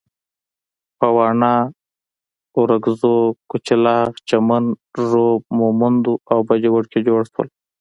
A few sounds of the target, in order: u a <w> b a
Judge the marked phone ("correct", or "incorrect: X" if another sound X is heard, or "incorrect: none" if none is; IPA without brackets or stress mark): correct